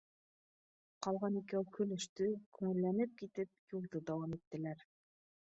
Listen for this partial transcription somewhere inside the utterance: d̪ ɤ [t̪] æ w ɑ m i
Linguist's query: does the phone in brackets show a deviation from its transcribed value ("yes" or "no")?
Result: yes